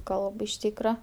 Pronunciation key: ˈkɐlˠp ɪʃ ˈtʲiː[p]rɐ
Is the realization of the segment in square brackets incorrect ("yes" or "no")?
yes